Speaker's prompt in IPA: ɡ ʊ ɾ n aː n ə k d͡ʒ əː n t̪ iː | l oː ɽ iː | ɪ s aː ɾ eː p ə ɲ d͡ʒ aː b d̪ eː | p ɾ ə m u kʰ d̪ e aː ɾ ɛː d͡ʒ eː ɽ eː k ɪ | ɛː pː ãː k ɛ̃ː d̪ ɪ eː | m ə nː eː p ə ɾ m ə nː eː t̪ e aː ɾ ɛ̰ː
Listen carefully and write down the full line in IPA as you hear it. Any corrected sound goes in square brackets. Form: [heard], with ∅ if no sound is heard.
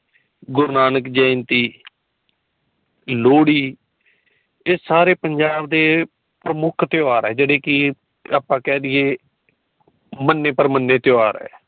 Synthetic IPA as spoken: ɡ ʊ ɾ n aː n ə k d͡ʒ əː n t̪ iː | l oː ɽ iː | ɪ s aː ɾ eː p ə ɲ d͡ʒ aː b d̪ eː | p ɾ ə m [ʊ] kʰ [t̪] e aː ɾ ɛː d͡ʒ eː ɽ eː k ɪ | [aː] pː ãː k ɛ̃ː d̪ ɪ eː | m ə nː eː p ə ɾ m ə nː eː t̪ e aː ɾ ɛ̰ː

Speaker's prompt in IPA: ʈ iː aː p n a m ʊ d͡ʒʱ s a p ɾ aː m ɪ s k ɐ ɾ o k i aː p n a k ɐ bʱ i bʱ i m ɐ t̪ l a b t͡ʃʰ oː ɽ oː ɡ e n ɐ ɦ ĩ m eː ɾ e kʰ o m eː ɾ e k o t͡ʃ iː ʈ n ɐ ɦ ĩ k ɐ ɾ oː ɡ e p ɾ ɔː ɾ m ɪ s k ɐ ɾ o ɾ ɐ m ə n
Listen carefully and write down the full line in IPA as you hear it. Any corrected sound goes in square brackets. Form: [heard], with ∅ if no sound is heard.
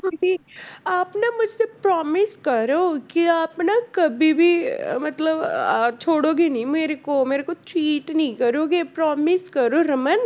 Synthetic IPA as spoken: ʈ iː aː p n a m ʊ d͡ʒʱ s [e] p ɾ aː m ɪ s k ɐ ɾ o k i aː p n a k ɐ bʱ i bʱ i m ɐ t̪ l [ə] b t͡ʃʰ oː ɽ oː ɡ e n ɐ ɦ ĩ m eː ɾ e [k] o m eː ɾ e k o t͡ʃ iː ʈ n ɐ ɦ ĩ k ɐ ɾ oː ɡ e p ɾ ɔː [∅] m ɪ s k ɐ ɾ o ɾ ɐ m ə n

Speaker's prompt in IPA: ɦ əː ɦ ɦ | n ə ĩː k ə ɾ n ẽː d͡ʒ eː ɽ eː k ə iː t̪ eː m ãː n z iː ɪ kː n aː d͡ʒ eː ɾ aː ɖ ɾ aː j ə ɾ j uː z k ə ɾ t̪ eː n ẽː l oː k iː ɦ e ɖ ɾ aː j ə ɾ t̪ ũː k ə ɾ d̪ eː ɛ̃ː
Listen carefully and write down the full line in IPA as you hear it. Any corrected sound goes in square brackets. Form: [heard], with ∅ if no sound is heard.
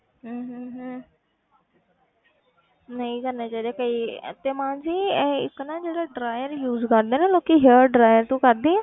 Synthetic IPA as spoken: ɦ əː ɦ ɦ | n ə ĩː k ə ɾ n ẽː d͡ʒ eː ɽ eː k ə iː t̪ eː m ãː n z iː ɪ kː n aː d͡ʒ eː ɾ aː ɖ ɾ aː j ə ɾ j uː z k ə ɾ [d̪] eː n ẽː l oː k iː ɦ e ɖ ɾ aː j ə ɾ t̪ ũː k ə ɾ d̪ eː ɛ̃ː

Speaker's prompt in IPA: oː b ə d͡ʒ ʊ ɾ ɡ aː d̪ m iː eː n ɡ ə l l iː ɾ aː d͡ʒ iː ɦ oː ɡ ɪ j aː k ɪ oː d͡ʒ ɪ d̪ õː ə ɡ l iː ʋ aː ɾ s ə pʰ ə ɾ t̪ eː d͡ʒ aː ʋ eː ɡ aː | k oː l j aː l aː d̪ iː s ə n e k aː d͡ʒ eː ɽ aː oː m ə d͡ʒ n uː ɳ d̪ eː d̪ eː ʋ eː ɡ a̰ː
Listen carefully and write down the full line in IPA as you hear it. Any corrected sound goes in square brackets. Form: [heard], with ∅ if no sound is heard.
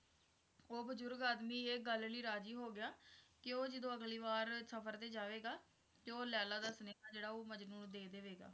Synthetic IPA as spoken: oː b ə d͡ʒ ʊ ɾ ɡ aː d̪ m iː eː [∅] ɡ ə l l iː ɾ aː d͡ʒ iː ɦ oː ɡ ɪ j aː k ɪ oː d͡ʒ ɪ d̪ õː ə ɡ l iː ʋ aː ɾ s ə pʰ ə ɾ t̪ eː d͡ʒ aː ʋ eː ɡ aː | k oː l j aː l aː d̪ [aː] s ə n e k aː d͡ʒ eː ɽ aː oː m ə d͡ʒ n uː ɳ d̪ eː d̪ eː ʋ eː ɡ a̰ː

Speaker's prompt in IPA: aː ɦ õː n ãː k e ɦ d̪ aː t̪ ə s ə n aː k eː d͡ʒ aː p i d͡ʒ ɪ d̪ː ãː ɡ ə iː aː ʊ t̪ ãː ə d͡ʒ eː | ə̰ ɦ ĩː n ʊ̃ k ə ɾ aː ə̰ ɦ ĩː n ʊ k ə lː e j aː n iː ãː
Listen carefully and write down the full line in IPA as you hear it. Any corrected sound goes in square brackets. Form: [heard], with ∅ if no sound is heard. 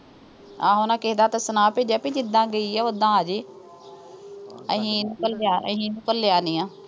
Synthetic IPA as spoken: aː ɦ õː n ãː k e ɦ d̪ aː t̪ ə s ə n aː [p] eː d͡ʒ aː p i d͡ʒ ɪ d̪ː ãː ɡ ə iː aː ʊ [d̪] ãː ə d͡ʒ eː | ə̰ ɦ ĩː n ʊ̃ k ə [l] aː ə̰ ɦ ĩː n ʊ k ə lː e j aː n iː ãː

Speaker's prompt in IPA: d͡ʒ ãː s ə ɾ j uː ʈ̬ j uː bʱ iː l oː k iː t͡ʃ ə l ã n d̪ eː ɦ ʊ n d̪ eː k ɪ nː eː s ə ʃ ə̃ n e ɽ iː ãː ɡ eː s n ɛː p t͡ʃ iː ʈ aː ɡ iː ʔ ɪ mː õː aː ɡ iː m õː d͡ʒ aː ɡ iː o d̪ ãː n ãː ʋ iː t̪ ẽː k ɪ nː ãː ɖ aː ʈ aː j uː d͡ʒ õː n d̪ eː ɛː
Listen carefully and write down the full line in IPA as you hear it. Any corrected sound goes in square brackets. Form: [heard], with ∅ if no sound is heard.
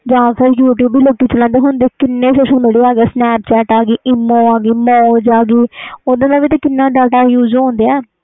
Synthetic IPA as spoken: d͡ʒ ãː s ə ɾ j uː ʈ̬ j uː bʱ iː l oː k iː t͡ʃ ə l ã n d̪ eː ɦ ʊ n d̪ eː k ɪ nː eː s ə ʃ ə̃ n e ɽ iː [aː] ɡ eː s n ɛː p t͡ʃ [ɛː] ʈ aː ɡ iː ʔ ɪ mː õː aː ɡ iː m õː d͡ʒ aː ɡ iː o d̪ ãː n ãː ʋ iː t̪ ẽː k ɪ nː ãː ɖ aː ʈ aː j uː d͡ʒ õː n d̪ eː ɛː

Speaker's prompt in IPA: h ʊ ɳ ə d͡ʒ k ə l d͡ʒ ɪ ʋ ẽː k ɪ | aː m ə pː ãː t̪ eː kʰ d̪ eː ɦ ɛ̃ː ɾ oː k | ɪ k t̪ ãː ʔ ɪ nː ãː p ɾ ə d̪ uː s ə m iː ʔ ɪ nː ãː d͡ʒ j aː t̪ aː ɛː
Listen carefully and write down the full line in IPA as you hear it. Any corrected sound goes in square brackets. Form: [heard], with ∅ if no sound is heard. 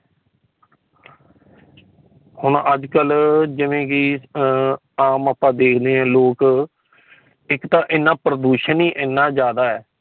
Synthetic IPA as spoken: h ʊ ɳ ə d͡ʒ k ə l d͡ʒ ɪ ʋ ẽː k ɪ | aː m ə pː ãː [d̪] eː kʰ d̪ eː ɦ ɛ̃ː [l] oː k | ɪ k t̪ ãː ʔ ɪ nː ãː p ɾ ə d̪ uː [ʃ] ə [n] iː ʔ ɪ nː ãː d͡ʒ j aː [d̪] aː ɛː

